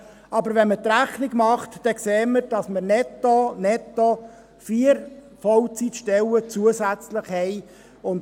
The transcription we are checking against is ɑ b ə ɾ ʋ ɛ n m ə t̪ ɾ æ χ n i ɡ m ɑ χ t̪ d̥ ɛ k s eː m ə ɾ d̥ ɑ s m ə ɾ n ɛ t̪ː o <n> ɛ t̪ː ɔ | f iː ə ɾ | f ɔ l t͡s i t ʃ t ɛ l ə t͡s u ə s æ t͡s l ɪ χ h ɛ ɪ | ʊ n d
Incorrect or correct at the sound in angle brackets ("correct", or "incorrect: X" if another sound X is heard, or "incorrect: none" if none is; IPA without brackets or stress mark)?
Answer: correct